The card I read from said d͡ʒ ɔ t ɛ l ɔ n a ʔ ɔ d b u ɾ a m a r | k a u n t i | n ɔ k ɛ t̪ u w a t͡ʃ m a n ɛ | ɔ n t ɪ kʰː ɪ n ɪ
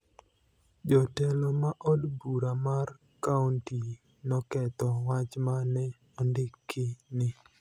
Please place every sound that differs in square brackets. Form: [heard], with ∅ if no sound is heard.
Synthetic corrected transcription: d͡ʒ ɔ t ɛ l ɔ [m] a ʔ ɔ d b u ɾ a m a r | k a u n t i | n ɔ k ɛ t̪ [ɔ] w a t͡ʃ m a n ɛ | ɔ n [d] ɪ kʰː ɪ n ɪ